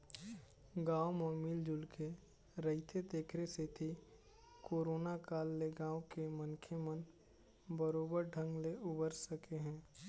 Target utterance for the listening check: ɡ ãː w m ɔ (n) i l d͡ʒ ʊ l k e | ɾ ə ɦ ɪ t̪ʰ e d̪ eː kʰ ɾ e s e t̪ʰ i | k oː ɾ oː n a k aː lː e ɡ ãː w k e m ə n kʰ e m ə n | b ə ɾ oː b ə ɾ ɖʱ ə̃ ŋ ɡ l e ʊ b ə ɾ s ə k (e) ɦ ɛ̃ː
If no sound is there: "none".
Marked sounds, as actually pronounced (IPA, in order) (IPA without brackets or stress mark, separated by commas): m, e